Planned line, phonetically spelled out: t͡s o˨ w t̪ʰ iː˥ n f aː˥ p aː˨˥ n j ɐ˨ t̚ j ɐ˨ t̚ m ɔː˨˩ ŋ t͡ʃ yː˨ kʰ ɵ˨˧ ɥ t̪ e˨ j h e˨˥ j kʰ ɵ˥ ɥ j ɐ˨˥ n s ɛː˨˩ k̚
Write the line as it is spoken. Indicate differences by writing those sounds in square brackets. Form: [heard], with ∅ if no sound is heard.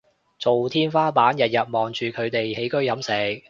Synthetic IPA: t͡s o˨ w t̪ʰ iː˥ n f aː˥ p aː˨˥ n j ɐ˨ t̚ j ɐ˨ t̚ m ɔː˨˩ ŋ t͡ʃ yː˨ kʰ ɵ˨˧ ɥ t̪ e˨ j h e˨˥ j [k] ɵ˥ ɥ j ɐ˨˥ [m] s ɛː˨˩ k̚

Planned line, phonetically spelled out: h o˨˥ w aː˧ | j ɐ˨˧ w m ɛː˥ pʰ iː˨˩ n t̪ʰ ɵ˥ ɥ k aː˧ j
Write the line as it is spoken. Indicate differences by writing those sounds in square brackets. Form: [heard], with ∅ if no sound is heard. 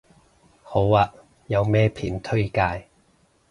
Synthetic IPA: h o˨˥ w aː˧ | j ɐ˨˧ w m ɛː˥ pʰ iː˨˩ n t̪ʰ ɵ˥ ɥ k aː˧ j

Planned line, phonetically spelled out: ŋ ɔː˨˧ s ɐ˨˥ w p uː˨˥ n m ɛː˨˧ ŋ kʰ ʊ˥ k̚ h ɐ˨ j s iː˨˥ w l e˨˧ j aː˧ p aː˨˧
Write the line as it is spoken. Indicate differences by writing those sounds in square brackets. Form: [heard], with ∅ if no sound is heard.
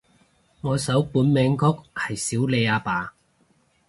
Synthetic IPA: ŋ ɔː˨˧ s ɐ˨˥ w p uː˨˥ n m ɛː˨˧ ŋ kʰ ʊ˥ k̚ h ɐ˨ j s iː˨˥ w l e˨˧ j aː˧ p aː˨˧

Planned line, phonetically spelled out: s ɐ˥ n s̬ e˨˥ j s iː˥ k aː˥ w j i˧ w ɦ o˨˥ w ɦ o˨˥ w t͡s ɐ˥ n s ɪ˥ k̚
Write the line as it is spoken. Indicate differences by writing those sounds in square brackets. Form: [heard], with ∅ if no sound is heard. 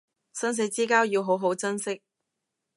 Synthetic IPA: s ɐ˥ n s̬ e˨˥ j [t͡s] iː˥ k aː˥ w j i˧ w ɦ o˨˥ w ɦ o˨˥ w t͡s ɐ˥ n s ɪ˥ k̚

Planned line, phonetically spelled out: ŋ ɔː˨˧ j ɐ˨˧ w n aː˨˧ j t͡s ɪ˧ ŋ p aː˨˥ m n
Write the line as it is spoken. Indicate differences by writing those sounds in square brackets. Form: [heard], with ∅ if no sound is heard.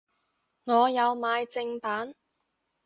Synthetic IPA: ŋ ɔː˨˧ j ɐ˨˧ w [m] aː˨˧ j t͡s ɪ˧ ŋ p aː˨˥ [∅] n

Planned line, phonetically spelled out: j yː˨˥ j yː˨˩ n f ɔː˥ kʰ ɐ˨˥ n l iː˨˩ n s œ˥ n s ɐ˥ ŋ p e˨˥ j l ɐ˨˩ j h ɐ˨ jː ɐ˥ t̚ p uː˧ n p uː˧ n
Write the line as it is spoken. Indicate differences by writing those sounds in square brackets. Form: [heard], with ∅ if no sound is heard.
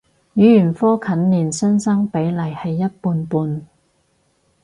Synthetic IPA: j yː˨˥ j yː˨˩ n f ɔː˥ kʰ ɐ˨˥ n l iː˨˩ n s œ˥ n s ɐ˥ ŋ p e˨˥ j l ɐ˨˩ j h ɐ˨ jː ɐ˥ t̚ p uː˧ n p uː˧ n

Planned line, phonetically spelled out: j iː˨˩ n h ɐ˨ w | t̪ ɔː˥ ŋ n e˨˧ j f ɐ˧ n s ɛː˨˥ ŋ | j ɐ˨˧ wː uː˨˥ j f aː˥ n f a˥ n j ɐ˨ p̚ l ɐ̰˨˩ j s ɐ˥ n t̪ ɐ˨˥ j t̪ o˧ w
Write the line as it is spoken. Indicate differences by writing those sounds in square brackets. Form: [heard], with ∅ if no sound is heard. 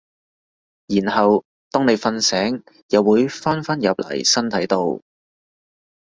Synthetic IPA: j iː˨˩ n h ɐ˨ w | t̪ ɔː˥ ŋ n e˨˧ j f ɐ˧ n s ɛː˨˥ ŋ | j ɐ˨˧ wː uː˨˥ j f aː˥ n f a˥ n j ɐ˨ p̚ l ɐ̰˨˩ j s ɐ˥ n [t̪ʰ] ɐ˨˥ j t̪ o˧ w

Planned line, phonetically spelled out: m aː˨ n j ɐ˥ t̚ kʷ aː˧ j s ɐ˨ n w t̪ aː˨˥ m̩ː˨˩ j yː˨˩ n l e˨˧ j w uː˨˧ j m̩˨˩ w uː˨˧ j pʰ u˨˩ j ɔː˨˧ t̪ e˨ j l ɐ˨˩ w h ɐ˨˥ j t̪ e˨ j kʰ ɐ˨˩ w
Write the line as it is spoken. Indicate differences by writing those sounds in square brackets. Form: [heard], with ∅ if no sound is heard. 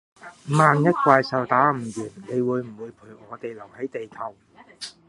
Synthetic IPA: m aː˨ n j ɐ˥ t̚ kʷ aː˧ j s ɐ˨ [∅] w t̪ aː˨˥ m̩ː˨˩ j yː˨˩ n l e˨˧ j w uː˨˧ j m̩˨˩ w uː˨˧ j pʰ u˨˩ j ɔː˨˧ t̪ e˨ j l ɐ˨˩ w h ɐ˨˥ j t̪ e˨ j kʰ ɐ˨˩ w

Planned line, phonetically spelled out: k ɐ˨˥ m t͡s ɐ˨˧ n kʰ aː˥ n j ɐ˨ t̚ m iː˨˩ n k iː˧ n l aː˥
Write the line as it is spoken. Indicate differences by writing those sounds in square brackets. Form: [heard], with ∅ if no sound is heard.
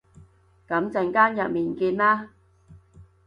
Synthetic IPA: k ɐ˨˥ m t͡s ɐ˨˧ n [k] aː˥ n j ɐ˨ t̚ m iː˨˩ n k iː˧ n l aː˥

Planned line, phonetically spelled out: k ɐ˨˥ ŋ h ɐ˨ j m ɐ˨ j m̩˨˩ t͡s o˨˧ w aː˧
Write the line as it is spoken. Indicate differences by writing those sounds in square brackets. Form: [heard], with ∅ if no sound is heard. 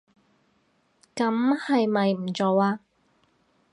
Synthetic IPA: k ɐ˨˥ [m] h ɐ˨ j m ɐ˨ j m̩˨˩ t͡s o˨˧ w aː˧

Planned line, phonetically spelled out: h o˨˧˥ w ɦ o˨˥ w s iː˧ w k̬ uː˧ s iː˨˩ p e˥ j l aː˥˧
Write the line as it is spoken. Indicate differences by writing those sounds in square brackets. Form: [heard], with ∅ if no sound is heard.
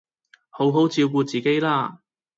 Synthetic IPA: h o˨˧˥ w ɦ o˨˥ w [t͡s] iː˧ w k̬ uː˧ [t͡s] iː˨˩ [k] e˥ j l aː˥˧

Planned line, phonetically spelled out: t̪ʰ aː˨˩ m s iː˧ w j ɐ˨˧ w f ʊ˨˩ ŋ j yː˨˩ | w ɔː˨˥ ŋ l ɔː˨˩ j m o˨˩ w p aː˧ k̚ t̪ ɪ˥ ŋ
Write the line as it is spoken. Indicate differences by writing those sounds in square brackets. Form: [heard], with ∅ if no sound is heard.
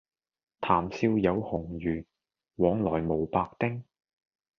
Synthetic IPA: t̪ʰ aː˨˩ m s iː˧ w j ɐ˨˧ w [h] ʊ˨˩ ŋ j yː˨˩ | w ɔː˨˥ ŋ l ɔː˨˩ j m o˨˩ w p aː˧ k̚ t̪ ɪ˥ ŋ

